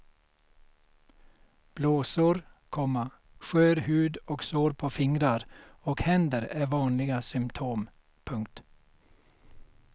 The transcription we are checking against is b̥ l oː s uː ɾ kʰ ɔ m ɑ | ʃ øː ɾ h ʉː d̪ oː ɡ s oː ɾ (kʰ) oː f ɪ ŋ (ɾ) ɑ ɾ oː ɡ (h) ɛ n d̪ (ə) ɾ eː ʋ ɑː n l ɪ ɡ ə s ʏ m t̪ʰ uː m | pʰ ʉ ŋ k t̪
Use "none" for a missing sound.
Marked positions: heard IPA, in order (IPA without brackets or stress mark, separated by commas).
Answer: pʰ, ɾ, h, ə